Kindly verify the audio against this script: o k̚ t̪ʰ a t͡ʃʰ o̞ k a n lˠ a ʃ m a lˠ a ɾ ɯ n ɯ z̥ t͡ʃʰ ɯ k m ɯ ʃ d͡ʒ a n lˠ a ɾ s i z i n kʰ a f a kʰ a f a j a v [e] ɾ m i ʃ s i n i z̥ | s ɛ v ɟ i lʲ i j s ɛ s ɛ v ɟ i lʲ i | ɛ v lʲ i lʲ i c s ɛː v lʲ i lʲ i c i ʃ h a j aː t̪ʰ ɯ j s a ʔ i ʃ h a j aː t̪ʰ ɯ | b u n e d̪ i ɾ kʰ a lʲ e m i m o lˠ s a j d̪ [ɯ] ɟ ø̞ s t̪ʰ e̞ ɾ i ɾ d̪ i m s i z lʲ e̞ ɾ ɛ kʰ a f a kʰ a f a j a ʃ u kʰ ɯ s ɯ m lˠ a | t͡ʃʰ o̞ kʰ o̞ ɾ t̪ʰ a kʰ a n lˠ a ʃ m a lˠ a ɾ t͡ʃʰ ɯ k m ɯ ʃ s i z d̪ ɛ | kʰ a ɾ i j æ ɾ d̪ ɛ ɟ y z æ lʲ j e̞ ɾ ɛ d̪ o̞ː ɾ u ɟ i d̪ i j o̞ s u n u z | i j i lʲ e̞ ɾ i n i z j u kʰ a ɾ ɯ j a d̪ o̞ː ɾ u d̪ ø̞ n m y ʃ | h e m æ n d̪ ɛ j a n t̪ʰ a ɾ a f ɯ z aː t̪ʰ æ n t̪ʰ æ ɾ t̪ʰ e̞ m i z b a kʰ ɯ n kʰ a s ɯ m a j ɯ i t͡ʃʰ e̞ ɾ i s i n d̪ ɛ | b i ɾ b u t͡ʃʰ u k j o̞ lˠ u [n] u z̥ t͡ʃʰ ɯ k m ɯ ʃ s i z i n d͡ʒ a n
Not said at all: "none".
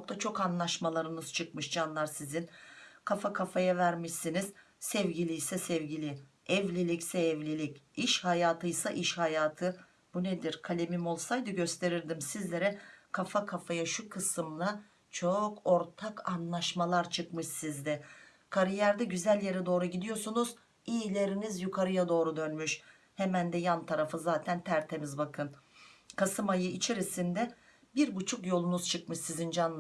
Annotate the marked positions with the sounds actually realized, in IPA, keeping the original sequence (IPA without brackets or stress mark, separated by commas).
æ, ɯ, n